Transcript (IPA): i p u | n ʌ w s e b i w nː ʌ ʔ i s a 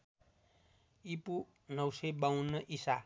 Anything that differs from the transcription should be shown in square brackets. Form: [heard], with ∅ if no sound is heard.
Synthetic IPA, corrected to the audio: i p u | n ʌ w s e b [a] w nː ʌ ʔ i s a